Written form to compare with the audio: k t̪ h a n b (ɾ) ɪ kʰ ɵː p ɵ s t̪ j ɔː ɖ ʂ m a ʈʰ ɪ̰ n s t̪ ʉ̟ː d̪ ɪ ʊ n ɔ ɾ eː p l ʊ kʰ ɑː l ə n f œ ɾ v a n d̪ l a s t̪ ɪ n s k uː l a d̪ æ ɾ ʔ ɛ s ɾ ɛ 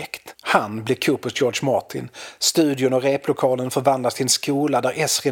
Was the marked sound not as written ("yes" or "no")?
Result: yes